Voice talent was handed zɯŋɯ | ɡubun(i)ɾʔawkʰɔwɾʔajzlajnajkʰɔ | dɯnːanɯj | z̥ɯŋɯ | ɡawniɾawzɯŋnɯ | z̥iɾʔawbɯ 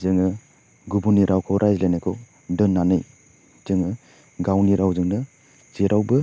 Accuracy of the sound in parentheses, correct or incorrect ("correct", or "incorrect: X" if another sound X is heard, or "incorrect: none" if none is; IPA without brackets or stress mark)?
correct